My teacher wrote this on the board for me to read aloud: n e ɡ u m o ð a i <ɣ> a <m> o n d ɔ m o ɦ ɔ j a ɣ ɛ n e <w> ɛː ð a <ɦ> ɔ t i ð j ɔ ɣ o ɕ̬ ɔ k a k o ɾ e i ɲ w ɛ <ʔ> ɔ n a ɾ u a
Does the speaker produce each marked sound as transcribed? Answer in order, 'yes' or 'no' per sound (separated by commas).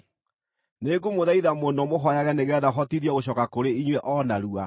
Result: no, yes, no, yes, yes